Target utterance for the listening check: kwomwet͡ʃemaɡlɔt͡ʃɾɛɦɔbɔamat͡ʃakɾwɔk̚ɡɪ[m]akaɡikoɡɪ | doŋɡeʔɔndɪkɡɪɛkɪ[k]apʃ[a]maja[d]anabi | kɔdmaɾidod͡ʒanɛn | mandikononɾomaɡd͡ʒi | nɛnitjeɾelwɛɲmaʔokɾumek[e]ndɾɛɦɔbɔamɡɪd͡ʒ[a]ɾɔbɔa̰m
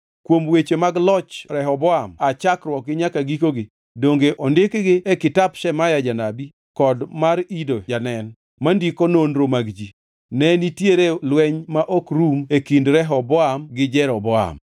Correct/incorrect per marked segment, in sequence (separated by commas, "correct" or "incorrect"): incorrect, incorrect, incorrect, incorrect, incorrect, incorrect